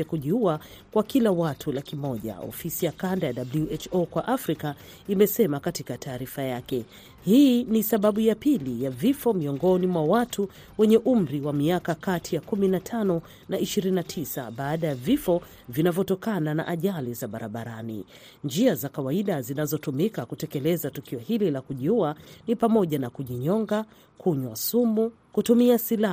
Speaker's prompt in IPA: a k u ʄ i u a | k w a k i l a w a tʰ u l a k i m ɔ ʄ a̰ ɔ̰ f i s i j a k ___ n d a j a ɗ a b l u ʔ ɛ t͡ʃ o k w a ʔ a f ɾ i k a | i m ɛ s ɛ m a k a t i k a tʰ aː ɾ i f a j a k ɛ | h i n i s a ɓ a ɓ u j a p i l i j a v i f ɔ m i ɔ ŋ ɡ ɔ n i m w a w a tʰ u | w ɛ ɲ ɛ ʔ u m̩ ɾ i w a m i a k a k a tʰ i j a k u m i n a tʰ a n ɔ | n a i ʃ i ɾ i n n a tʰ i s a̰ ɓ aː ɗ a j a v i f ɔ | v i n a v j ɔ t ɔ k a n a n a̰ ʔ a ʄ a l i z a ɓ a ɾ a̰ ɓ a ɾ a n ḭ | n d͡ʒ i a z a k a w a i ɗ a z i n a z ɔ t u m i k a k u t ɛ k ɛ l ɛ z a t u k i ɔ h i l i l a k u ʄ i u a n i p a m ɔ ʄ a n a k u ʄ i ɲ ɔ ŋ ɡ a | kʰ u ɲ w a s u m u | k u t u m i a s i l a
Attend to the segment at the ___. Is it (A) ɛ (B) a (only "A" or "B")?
B